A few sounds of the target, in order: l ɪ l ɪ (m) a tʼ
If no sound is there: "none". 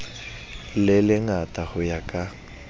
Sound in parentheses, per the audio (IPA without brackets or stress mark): ŋ